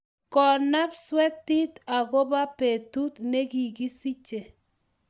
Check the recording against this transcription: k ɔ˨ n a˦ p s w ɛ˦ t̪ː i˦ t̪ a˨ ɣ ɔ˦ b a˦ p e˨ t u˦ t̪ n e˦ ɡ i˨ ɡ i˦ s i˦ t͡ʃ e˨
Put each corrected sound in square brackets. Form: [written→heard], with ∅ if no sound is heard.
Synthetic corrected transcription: k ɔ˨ n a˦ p s w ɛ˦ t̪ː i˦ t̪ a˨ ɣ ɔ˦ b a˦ p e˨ t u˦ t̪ n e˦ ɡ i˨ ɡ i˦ s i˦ t͡ʃ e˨